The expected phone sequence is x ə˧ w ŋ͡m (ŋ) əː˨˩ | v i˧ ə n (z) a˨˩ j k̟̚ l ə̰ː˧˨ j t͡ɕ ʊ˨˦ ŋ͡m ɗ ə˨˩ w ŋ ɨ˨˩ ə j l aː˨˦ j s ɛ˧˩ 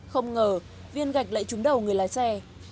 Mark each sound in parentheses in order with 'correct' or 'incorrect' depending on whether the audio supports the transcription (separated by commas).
correct, incorrect